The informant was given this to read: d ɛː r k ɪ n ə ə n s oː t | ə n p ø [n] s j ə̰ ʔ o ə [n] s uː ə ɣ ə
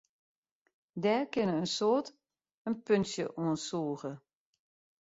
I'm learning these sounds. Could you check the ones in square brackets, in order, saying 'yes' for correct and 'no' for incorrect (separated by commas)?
yes, yes